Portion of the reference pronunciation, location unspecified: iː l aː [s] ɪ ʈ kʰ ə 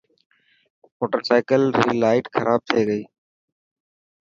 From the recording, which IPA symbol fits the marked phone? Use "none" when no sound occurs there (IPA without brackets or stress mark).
none